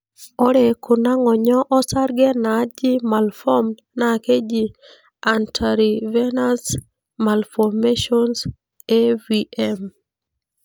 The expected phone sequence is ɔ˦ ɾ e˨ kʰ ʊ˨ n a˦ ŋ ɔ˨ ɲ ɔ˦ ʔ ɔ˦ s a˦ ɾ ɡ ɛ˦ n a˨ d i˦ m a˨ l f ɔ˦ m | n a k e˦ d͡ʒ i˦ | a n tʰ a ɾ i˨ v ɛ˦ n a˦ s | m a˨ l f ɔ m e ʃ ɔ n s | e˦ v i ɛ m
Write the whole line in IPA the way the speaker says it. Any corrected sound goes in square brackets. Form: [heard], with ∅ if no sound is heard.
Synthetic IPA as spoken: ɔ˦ ɾ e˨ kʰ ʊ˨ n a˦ ŋ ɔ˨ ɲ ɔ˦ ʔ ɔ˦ s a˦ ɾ ɡ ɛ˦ n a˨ [d͡ʒ] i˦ m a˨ l f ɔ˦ m | n a k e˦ d͡ʒ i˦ | a n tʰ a ɾ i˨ v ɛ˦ n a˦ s | m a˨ l f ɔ m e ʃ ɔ n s | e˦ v i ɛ m